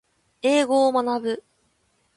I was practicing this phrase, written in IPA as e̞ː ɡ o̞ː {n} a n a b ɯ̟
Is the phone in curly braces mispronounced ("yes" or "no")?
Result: yes